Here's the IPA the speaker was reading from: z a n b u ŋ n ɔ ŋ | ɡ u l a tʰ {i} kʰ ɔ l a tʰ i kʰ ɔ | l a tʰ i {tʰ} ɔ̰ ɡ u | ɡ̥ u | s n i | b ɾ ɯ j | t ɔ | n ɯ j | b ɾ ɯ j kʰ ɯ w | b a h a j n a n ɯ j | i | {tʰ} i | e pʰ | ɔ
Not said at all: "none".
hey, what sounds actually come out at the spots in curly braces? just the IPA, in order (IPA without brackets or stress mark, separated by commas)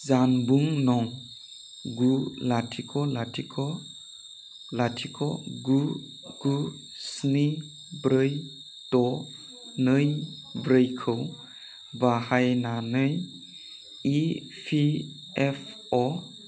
i, kʰ, pʰ